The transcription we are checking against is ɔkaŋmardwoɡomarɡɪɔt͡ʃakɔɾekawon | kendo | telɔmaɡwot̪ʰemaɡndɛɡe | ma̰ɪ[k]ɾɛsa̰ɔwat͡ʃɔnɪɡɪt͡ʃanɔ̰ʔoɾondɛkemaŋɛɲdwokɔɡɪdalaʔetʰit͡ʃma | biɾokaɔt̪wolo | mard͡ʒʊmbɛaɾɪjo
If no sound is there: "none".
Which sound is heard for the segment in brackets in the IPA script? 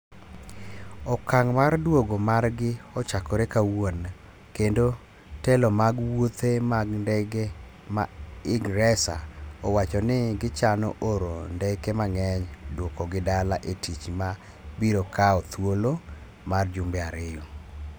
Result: ɡ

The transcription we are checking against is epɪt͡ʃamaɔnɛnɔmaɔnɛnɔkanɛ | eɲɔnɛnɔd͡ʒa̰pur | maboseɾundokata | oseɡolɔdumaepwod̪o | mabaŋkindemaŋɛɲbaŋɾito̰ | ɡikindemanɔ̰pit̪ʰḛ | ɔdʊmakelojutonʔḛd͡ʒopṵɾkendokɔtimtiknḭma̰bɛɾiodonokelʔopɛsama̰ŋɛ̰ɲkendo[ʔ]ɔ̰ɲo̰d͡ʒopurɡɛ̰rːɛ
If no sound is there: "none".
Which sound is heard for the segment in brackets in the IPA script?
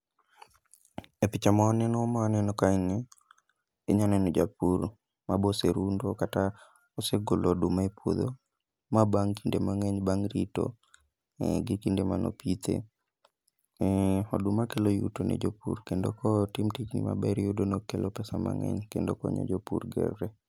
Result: k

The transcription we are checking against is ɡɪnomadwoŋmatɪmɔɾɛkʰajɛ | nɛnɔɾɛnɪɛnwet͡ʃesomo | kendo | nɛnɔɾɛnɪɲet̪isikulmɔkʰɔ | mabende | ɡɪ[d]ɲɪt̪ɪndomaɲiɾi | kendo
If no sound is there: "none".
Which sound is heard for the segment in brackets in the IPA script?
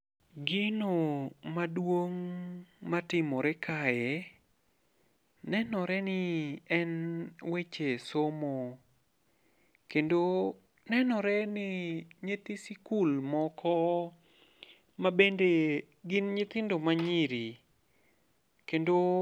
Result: n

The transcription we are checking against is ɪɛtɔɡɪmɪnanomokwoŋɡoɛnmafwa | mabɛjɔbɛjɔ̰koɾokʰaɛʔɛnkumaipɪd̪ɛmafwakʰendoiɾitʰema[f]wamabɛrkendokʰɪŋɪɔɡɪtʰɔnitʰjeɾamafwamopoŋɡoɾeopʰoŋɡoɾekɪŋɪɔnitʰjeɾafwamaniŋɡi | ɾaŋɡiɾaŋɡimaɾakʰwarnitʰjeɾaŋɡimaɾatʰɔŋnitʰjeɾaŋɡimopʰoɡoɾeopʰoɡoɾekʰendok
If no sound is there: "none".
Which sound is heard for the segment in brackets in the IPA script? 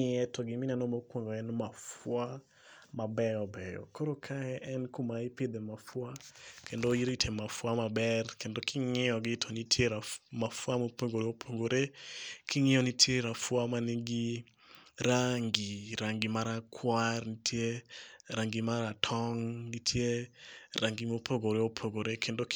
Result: f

